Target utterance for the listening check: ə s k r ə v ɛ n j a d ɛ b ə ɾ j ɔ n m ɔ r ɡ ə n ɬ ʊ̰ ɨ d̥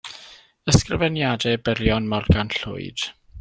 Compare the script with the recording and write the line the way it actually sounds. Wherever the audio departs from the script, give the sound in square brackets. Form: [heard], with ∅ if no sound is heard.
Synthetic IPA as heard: ə s k r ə v ɛ n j a d ɛ b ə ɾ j ɔ n m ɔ r ɡ [a] n ɬ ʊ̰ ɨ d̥